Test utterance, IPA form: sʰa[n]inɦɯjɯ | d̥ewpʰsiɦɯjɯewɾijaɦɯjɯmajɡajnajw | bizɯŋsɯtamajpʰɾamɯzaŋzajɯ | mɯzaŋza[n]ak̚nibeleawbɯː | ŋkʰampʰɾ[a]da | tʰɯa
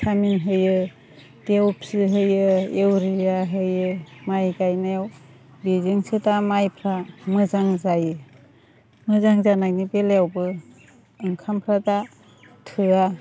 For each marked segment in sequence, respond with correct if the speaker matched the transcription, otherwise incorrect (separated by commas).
incorrect, correct, correct